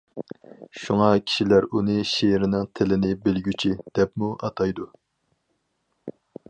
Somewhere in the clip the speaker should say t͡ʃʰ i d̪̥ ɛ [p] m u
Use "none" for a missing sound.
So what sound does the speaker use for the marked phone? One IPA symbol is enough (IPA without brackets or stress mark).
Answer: p